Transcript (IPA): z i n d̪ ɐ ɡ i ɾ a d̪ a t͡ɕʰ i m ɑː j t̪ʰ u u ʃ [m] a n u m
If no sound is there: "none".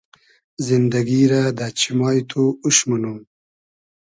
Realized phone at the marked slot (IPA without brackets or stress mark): m